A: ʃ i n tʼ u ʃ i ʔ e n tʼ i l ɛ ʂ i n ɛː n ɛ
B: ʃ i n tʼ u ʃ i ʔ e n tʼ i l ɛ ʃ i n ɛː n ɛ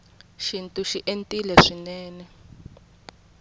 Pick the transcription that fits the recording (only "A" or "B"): A